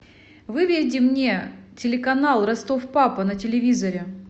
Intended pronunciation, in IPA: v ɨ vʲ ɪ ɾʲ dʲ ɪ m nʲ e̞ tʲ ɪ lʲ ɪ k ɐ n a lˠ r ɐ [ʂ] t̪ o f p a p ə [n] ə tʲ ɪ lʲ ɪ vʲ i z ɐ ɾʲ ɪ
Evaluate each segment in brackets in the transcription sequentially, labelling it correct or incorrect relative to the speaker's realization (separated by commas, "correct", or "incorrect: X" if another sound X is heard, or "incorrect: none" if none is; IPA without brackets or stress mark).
incorrect: s, correct